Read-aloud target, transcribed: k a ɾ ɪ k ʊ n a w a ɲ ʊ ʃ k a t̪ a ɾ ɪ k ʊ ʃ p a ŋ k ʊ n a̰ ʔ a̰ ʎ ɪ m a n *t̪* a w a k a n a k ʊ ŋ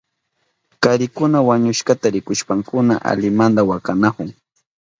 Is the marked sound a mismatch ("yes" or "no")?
yes